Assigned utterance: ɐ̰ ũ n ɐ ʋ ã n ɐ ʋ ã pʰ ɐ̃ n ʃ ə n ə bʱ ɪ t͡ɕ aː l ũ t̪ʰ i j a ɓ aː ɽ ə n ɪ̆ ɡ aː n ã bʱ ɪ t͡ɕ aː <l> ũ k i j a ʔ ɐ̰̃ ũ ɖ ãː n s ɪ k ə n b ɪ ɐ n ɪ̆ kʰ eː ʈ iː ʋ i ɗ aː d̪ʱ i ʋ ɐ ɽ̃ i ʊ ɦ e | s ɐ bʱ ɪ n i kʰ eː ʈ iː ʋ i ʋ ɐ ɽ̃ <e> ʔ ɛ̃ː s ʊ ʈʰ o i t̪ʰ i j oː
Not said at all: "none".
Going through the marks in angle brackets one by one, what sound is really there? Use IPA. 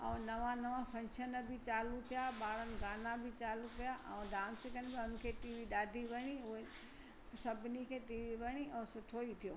l, i

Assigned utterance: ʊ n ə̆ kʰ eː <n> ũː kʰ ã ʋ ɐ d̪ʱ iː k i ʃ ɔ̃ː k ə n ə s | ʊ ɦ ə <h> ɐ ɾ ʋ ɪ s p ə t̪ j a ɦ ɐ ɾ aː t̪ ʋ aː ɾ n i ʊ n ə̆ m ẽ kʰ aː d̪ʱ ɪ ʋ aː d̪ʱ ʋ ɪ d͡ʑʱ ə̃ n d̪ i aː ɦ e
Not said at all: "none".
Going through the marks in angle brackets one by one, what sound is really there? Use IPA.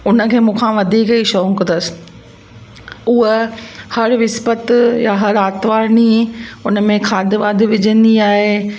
m, h

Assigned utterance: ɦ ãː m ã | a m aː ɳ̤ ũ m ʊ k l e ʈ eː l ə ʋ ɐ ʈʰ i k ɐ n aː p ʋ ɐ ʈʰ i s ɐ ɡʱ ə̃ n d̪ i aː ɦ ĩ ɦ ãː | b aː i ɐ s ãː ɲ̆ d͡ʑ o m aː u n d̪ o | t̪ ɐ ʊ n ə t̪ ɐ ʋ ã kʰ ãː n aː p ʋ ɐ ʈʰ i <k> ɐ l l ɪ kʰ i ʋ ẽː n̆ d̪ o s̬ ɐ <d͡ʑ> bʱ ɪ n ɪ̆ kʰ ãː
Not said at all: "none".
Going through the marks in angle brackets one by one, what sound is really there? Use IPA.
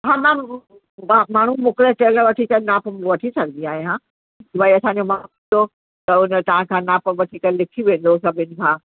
k, none

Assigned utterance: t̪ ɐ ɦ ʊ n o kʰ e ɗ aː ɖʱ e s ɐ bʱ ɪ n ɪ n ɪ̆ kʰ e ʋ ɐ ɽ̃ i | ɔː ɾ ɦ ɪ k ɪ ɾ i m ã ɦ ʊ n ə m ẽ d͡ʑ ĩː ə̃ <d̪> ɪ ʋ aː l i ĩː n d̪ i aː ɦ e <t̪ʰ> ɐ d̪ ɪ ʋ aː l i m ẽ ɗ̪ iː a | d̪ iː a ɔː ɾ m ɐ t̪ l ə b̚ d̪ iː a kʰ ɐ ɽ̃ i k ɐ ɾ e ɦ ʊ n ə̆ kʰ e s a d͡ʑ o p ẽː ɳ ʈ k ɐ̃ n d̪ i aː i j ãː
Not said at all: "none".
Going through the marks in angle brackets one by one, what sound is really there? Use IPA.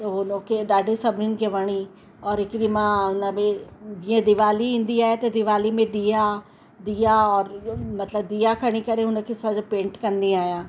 d̪, t̪

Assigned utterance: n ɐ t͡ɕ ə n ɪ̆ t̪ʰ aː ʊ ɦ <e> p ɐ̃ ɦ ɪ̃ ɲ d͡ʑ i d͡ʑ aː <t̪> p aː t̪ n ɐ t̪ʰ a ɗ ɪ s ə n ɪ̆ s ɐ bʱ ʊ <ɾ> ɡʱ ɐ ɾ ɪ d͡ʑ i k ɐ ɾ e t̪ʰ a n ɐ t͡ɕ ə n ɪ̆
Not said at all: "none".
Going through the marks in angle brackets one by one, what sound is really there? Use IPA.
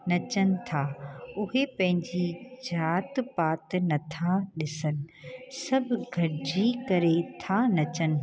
e, t̪, none

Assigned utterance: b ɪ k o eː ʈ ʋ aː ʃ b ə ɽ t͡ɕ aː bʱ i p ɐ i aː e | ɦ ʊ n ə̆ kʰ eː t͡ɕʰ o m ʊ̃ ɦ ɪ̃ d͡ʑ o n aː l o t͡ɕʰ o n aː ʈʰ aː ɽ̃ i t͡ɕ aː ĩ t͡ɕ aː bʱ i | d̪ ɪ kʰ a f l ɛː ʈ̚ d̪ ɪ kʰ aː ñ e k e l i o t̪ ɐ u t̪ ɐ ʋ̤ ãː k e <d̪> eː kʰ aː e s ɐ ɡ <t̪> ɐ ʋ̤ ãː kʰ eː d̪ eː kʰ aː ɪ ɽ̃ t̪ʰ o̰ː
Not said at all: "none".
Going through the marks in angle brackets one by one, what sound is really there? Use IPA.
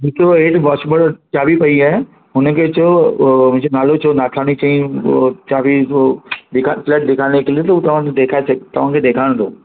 d̪, t̪

